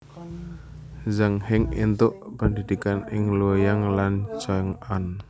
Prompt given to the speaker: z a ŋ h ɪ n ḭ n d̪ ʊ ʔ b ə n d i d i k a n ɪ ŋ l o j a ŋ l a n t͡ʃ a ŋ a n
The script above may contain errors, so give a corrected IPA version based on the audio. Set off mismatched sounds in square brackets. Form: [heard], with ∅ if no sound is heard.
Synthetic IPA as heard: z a ŋ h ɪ [ŋ] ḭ n [t̪] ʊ ʔ [p] ə n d i d i k a n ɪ ŋ l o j a ŋ l a n t͡ʃ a ŋ a n